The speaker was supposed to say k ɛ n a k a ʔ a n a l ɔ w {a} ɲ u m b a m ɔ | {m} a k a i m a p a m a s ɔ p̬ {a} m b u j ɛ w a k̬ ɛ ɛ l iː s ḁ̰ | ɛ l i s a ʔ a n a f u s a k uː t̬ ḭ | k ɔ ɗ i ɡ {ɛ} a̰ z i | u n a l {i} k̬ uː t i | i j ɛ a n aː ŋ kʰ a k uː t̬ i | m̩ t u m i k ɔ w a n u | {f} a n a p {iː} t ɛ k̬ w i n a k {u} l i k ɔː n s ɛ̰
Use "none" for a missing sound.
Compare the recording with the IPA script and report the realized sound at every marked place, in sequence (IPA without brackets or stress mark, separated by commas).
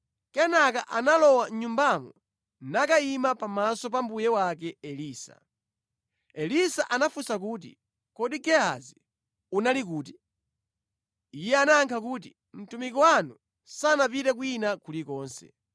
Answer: a, n, a, ɛ, i, s, i, u